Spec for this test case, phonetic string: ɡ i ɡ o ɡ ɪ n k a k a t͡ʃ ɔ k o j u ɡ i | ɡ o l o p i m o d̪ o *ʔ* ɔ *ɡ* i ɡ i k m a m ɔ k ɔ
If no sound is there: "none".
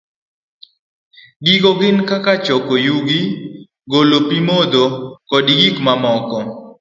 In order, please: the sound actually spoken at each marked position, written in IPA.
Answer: k, d

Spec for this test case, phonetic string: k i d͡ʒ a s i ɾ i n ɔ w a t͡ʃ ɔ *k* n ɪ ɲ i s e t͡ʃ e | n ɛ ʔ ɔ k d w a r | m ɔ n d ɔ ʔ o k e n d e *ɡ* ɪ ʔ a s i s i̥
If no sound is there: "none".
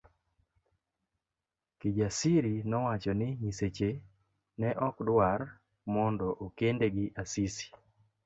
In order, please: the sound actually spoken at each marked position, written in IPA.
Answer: none, ɡ

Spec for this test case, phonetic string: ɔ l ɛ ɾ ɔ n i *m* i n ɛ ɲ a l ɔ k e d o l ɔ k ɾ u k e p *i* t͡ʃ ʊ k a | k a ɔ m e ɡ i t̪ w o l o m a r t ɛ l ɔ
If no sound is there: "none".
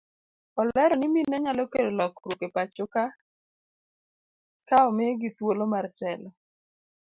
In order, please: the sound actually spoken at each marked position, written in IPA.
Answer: m, a

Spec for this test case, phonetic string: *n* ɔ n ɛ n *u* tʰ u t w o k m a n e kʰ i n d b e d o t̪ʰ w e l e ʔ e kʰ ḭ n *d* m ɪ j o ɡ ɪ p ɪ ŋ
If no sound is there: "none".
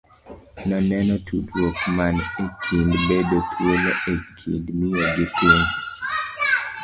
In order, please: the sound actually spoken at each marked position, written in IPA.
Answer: n, ɔ, d

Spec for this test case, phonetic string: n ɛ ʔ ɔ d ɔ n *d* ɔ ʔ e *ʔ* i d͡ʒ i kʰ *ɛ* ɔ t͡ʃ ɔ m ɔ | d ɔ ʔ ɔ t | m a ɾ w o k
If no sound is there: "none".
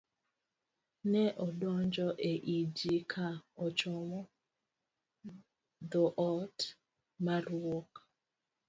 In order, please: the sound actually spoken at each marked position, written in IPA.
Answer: d͡ʒ, ʔ, a

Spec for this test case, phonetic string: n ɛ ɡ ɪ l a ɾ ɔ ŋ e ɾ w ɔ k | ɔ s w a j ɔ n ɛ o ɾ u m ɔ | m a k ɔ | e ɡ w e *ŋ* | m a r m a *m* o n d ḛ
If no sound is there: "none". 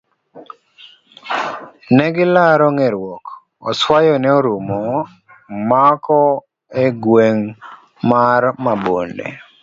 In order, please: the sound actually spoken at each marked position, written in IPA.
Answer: ŋ, b

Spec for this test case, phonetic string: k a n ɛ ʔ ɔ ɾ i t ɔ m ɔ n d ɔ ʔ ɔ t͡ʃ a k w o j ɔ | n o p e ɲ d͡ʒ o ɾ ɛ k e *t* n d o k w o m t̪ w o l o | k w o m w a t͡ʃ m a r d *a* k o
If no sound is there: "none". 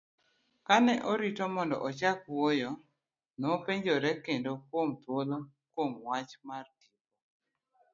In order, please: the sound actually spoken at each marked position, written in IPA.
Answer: none, i

